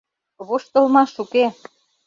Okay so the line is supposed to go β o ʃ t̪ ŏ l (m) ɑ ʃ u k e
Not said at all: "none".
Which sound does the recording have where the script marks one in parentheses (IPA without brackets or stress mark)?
m